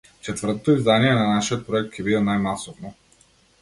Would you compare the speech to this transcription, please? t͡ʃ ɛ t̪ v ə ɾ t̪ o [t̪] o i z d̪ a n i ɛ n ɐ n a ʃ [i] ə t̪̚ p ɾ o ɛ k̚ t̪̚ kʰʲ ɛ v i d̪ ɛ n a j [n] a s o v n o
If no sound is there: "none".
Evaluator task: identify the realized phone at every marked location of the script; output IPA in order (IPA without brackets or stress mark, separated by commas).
t̪, i, m